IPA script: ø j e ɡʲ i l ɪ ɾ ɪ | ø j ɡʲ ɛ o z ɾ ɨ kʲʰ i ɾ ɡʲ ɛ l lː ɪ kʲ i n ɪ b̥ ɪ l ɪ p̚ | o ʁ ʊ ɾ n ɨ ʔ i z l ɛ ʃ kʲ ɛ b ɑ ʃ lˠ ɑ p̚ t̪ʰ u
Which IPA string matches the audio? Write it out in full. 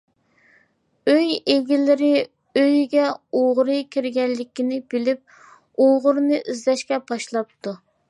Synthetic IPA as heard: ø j e ɡʲ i l ɪ ɾ ɪ | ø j ɡʲ ɛ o ʁ ɾ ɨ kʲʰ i ɾ ɡʲ ɛ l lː ɪ kʲ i n ɪ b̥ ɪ l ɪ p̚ | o ʁ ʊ ɾ n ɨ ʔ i z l ɛ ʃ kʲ ɛ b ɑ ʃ lˠ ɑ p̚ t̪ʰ u